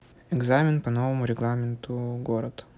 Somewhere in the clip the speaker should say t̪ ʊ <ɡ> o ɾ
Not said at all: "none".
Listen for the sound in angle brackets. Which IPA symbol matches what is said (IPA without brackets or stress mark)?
ɡ